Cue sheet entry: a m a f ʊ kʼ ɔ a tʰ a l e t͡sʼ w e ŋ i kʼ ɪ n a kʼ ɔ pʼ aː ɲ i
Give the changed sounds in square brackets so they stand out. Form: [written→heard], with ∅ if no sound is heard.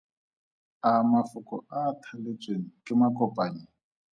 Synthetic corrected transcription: a m a f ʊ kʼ ɔ a tʰ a l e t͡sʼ w e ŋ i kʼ ɪ [n→m] a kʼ ɔ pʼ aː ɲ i

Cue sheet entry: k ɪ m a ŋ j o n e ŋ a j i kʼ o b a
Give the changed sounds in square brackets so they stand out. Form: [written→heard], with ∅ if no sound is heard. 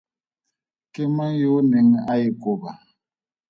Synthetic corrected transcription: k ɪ m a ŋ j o n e ŋ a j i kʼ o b a

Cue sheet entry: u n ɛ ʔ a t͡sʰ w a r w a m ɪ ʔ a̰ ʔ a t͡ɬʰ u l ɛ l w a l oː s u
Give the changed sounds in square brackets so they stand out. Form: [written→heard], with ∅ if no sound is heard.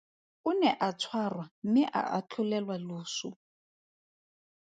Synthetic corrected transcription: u n ɛ ʔ a t͡sʰ w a r w a m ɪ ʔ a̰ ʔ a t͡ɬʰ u l ɛ l w a l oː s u

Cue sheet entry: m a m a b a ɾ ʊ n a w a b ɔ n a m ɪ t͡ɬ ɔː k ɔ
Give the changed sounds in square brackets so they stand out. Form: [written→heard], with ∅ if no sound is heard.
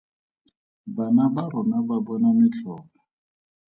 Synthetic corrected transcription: [m→b] a [m→n] a b a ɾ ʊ n a [w→b] a b ɔ n a m ɪ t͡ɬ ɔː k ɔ

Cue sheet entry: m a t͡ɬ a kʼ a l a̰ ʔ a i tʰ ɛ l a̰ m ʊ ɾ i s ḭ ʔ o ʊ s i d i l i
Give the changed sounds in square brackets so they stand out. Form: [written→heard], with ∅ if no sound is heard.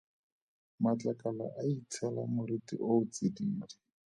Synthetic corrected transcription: m a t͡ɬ a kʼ a l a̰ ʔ a i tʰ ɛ l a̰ m ʊ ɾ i [s→t] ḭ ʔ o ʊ [s→t͡s] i d [i→iː] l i

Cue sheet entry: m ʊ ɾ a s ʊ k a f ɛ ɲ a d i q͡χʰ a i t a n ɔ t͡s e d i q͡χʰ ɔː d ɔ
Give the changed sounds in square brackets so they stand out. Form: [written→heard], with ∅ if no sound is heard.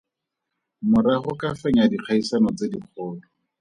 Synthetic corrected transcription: m ʊ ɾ a [s→χ] ʊ k a f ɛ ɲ a d i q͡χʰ a i [t→s] a n ɔ t͡s e d i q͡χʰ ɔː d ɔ

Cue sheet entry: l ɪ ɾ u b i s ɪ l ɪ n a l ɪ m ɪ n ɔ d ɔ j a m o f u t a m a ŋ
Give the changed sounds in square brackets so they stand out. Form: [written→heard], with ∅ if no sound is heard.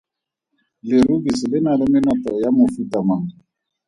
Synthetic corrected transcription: l ɪ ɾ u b i s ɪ l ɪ n a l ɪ m ɪ n ɔ [d→t] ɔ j a m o f u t a m a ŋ

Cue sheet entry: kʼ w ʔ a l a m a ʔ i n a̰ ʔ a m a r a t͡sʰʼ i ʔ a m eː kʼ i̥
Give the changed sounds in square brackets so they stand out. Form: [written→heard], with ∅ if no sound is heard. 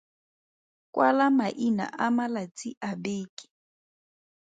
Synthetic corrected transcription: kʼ w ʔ a l a m a ʔ i n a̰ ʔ a m a [r→l] a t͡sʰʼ i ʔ a [m→b] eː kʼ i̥

